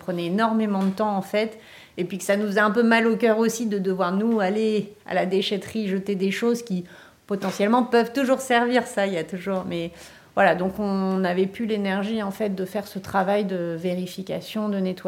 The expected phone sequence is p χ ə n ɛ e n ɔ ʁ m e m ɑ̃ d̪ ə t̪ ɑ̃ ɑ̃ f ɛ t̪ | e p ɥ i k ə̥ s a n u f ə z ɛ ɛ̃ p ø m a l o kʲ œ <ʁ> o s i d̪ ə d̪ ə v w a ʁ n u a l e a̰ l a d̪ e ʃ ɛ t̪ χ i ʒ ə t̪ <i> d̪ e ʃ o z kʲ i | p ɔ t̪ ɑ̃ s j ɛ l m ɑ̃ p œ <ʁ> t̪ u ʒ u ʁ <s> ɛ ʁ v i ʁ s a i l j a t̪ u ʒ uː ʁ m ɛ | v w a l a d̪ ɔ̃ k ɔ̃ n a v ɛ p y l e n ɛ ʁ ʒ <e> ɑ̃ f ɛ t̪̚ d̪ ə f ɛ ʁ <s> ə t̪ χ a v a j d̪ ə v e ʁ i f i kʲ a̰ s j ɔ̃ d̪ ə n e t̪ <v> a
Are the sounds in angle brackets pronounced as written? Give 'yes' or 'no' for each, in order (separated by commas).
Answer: yes, no, no, yes, no, yes, no